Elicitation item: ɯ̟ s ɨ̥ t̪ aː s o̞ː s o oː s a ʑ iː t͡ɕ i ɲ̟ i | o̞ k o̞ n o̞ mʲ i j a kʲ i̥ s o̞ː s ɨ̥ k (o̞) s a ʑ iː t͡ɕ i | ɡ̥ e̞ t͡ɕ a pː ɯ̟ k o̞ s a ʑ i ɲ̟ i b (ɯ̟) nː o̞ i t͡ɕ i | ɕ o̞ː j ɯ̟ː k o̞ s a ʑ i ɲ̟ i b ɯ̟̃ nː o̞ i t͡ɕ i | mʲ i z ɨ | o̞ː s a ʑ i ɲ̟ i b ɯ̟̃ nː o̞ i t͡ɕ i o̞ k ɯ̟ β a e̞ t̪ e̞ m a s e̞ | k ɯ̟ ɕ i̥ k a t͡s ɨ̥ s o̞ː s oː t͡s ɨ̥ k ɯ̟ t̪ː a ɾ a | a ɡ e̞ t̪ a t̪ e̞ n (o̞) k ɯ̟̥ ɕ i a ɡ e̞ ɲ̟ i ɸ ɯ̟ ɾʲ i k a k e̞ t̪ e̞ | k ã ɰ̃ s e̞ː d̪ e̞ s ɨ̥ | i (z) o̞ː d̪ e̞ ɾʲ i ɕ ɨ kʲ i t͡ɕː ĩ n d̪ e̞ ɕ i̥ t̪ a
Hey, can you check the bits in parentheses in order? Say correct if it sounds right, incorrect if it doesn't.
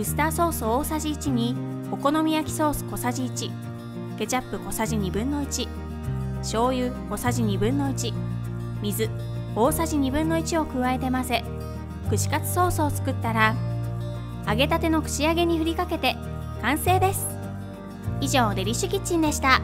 correct, incorrect: ɯ̟̃, correct, incorrect: ʑ

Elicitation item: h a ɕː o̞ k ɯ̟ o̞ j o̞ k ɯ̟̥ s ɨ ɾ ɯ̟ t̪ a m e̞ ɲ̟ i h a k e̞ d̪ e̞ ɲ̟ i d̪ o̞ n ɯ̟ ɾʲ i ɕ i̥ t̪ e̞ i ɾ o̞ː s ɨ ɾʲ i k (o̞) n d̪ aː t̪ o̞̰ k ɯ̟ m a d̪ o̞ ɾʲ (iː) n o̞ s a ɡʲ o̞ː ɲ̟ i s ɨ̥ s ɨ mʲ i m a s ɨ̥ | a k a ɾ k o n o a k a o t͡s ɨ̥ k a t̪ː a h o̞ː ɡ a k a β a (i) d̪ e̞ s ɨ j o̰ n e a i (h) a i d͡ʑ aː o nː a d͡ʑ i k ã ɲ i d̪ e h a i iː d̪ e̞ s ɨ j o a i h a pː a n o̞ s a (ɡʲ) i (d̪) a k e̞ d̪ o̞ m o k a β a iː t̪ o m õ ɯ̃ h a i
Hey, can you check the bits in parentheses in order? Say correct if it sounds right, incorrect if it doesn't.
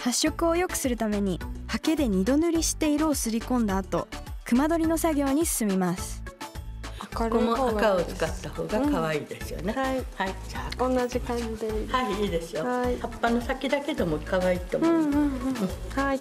incorrect: õ̞, incorrect: i, incorrect: iː, correct, incorrect: kʲ, correct

